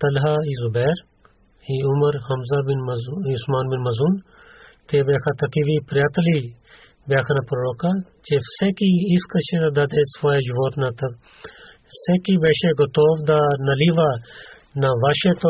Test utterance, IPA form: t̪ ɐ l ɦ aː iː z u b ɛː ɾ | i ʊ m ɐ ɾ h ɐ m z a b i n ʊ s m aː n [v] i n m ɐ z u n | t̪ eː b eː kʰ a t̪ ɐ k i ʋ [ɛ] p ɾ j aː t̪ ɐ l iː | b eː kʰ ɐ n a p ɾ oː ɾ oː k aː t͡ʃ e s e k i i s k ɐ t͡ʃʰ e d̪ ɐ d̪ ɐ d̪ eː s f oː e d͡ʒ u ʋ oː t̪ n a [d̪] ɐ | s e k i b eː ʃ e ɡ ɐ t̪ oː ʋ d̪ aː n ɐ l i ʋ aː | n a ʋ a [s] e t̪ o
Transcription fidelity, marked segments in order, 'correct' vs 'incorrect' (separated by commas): incorrect, incorrect, incorrect, incorrect